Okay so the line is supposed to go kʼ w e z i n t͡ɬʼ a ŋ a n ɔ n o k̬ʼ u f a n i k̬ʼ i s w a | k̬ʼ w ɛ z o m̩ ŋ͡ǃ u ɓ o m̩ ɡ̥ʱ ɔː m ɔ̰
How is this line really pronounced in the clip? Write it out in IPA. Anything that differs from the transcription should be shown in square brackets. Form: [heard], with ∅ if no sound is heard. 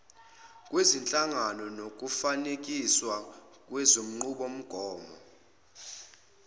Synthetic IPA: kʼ w e z i n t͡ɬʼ a ŋ a n ɔ n o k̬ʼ u f a n [e] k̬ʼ i s w a | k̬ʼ w ɛ z o m̩ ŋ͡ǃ u ɓ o m̩ ɡ̥ʱ ɔː m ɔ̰